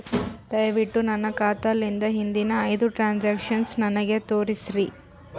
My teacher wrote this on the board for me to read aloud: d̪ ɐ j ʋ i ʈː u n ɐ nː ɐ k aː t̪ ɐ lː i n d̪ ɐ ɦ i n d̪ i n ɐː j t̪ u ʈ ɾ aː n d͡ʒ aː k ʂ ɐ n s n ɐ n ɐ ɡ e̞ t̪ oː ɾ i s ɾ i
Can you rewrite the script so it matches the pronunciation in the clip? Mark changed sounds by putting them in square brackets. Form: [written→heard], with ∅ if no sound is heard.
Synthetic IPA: d̪ ɐ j ʋ i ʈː u n ɐ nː ɐ k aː t̪ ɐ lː i n d̪ ɐ ɦ i n d̪ i n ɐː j [t̪→d̪] u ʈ ɾ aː n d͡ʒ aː k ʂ ɐ n s n ɐ n ɐ ɡ e̞ t̪ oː ɾ i s ɾ i

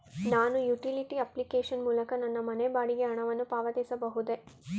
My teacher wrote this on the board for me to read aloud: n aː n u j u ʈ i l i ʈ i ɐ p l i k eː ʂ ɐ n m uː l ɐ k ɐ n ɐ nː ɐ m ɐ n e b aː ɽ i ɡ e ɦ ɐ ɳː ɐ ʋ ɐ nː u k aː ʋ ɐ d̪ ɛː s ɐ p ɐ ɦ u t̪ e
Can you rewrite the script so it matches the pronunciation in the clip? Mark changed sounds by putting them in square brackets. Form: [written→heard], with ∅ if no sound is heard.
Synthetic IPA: n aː n u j u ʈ i l i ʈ i ɐ p l i k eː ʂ ɐ n m uː l ɐ k ɐ n ɐ nː ɐ m ɐ n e b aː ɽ i ɡ e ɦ ɐ [ɳː→ɳ] ɐ ʋ ɐ nː u [k→p] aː ʋ ɐ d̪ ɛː s ɐ [p→b] ɐ ɦ u [t̪→d̪] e

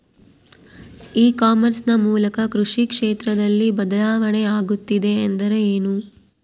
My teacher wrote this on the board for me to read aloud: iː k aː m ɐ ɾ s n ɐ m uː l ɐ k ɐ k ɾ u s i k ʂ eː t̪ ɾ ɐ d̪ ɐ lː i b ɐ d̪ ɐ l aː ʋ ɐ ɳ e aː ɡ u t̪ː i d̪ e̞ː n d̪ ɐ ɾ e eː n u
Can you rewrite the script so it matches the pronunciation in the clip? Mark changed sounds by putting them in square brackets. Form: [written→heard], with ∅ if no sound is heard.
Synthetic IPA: iː k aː m ɐ ɾ s n ɐ m uː l ɐ k ɐ k ɾ u [s→ʂ] i k ʂ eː t̪ ɾ ɐ d̪ ɐ lː i b ɐ d̪ ɐ l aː ʋ ɐ ɳ e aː ɡ u t̪ː i d̪ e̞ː n d̪ ɐ ɾ e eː n u

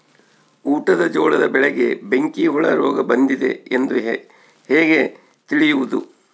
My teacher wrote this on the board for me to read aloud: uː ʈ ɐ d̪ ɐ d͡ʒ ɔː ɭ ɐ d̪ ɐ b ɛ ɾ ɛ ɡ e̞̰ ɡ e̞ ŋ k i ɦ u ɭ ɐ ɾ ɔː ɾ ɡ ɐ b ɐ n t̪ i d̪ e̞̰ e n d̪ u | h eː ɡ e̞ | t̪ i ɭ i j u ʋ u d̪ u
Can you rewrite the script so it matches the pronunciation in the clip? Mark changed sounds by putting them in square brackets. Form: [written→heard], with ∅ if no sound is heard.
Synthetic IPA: uː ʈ ɐ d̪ ɐ d͡ʒ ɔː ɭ ɐ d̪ ɐ b ɛ [ɾ→ɭ] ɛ ɡ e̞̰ [ɡ→b] e̞ ŋ k i ɦ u ɭ ɐ ɾ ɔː [ɾ→∅] ɡ ɐ b ɐ n [t̪→d̪] i d̪ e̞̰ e n d̪ u | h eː ɡ e̞ | t̪ i ɭ i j u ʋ u d̪ u

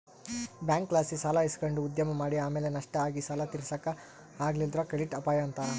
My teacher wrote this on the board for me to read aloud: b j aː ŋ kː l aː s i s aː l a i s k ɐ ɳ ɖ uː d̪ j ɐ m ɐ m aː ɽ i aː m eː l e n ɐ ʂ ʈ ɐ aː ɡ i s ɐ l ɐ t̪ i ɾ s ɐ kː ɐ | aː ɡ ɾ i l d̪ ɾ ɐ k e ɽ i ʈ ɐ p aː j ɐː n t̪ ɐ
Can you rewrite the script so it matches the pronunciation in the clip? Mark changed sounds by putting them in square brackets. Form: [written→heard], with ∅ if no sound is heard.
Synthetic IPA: b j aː ŋ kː l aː s i s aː l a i s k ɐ ɳ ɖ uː d̪ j ɐ m ɐ m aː ɽ i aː m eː l e n ɐ ʂ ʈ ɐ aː ɡ i s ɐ l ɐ t̪ i ɾ s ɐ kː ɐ | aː ɡ [ɾ→l] i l d̪ ɾ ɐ k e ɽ i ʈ ɐ p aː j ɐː n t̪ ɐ

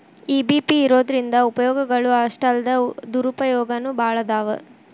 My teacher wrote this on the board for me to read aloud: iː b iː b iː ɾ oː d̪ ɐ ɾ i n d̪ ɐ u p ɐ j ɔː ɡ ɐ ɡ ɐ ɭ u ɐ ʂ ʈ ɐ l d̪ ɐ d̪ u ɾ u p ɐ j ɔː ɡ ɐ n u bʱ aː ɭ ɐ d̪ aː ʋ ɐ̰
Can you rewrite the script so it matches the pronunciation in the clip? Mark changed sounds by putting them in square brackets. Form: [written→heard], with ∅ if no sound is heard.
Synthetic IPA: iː b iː [b→p] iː ɾ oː d̪ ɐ ɾ i n d̪ ɐ u p ɐ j ɔː ɡ ɐ ɡ ɐ ɭ u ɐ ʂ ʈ ɐ l d̪ ɐ d̪ u ɾ u p ɐ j ɔː ɡ ɐ n u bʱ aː ɭ ɐ d̪ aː ʋ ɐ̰

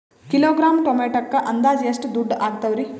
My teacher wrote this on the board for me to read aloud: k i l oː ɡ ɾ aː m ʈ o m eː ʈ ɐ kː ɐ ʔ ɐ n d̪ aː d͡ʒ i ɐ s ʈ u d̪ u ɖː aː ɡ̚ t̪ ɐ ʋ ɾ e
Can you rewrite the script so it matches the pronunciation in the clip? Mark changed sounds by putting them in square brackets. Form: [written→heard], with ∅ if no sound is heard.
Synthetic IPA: k i l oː ɡ ɾ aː m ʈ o m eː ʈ ɐ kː ɐ ʔ ɐ n d̪ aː d͡ʒ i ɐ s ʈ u d̪ u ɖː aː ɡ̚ t̪ ɐ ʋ ɾ [e→i]

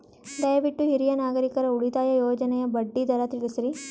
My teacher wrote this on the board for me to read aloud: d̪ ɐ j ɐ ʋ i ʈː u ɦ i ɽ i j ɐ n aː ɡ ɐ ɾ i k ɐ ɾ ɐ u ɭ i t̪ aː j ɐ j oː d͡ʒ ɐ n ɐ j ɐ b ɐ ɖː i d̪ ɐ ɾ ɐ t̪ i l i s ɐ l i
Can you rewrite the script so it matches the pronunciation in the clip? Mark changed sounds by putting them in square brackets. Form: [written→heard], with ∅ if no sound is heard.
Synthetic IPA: d̪ ɐ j ɐ ʋ i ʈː u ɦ i [ɽ→ɾ] i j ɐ n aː ɡ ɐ ɾ i k ɐ ɾ ɐ u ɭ i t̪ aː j ɐ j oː d͡ʒ ɐ n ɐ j ɐ b ɐ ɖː i d̪ ɐ ɾ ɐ t̪ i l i s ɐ [l→ɾ] i

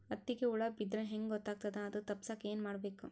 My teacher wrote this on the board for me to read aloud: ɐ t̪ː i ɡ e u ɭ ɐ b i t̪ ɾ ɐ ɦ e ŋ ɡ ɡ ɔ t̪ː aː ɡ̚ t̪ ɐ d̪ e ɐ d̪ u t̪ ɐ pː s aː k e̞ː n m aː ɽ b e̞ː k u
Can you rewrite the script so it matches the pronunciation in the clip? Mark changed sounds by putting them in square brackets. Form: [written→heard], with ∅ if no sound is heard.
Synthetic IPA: ɐ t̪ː i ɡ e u ɭ ɐ b i [t̪→d̪] ɾ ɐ ɦ e ŋ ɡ ɡ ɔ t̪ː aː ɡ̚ t̪ ɐ d̪ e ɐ d̪ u t̪ ɐ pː s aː k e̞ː n m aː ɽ b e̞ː k u

